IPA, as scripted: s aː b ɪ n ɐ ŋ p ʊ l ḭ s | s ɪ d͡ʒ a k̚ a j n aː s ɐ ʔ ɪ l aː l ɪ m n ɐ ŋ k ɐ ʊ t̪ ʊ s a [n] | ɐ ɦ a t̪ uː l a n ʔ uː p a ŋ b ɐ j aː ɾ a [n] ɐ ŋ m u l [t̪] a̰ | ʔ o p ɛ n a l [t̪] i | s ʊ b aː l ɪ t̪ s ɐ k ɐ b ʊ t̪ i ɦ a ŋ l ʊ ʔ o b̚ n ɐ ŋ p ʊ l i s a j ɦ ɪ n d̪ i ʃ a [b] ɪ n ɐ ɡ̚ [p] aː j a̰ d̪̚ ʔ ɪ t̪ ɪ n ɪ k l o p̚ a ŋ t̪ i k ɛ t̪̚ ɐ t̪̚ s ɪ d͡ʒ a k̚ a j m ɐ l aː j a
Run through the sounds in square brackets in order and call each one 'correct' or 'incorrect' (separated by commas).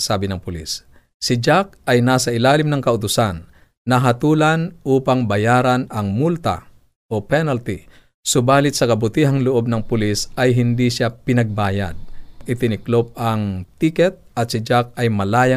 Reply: incorrect, correct, correct, correct, incorrect, incorrect